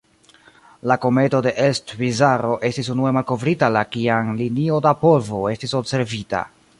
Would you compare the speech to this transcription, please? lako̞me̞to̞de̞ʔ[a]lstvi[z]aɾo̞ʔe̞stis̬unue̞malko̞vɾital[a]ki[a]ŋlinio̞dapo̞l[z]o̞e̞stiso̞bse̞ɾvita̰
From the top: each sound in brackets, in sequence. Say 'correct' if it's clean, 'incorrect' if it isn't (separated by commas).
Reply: incorrect, correct, correct, correct, incorrect